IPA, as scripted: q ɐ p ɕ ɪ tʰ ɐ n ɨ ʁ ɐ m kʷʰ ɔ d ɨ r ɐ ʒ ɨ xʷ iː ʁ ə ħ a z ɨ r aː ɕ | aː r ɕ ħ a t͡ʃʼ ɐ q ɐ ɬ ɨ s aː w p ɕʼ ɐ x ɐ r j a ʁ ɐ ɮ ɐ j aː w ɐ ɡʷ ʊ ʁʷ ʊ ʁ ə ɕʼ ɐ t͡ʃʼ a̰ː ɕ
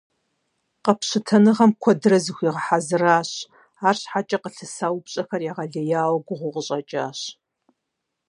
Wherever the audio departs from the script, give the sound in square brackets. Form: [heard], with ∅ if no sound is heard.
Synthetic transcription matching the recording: q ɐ p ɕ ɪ tʰ ɐ n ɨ ʁ ɐ m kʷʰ ɔ d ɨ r ɐ [z] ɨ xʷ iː ʁ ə ħ a z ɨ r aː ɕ | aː r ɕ ħ a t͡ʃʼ ɐ q [ə] ɬ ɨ s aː w p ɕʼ ɐ x ɐ r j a ʁ ɐ ɮ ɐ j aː w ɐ ɡʷ ʊ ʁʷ ʊ ʁ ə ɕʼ ɐ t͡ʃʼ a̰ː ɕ